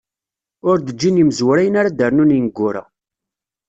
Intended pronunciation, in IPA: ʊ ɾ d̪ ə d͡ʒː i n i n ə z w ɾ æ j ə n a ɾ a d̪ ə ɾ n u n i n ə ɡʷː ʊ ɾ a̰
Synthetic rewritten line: ʊ ɾ d̪ ə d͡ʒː i n i m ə z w ɾ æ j ə n a ɾ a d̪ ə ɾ n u n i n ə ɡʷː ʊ ɾ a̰